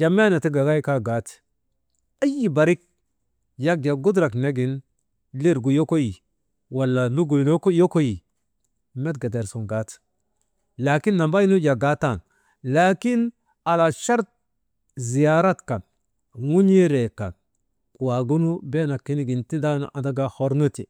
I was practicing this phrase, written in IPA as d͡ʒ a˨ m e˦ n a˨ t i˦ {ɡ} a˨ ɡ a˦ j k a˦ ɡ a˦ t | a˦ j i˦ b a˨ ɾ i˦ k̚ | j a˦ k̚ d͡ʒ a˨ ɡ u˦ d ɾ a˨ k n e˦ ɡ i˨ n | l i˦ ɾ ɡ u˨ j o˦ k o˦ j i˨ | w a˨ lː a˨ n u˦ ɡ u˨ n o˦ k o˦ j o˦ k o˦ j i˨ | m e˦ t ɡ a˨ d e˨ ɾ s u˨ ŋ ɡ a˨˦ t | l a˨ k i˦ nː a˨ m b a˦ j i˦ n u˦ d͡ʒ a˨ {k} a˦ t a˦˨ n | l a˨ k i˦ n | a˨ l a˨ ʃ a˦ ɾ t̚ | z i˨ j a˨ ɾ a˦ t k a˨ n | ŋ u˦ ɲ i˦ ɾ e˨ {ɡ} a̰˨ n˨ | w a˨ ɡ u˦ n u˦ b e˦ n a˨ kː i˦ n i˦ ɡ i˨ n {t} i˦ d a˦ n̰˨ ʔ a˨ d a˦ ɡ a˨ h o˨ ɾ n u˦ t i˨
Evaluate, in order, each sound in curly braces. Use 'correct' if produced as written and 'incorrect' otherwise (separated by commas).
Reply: correct, incorrect, incorrect, correct